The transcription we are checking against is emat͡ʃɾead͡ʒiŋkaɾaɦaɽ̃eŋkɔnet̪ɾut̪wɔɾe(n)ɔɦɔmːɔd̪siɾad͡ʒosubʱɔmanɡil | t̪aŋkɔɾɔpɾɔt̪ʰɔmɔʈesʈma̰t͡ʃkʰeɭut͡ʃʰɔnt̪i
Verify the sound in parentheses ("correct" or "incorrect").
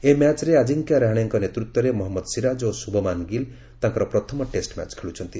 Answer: incorrect